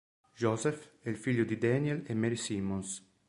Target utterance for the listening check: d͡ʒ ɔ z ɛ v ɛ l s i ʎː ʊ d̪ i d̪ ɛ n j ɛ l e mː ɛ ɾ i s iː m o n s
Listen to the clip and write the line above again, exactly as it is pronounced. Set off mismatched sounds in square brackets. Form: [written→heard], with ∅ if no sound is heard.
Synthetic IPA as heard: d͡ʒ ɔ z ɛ [v→f] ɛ l [s→f] i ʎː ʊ d̪ i d̪ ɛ n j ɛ l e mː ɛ ɾ i s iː m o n s